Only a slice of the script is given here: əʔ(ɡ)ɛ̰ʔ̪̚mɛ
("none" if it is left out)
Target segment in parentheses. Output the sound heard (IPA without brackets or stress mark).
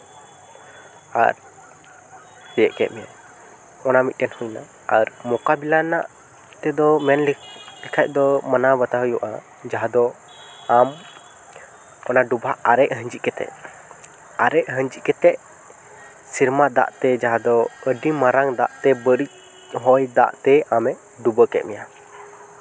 k